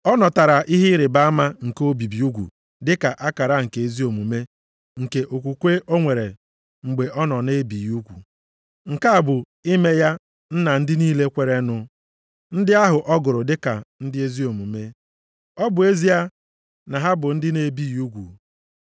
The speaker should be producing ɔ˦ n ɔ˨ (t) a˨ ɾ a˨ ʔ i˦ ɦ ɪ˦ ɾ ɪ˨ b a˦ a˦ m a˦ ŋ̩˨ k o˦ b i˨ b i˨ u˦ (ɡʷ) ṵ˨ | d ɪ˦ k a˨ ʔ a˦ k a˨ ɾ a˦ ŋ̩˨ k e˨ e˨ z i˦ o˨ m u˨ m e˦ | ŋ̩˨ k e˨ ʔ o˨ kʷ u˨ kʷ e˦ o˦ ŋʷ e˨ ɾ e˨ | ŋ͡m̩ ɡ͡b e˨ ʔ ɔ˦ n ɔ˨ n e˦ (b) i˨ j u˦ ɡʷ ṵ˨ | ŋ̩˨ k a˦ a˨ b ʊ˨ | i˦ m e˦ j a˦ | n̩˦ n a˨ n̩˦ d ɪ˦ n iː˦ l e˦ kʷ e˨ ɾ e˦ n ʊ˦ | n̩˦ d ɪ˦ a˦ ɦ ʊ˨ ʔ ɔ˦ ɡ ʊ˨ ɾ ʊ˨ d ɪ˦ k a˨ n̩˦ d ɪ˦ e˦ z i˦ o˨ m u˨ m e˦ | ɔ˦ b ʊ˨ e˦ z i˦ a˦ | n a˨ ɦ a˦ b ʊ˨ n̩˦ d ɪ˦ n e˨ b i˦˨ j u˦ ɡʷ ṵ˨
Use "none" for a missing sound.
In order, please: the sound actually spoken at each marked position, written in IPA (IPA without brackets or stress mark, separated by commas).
t, ɡʷ, b